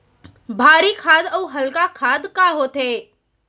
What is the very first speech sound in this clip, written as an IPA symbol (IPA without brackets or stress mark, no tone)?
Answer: bʱ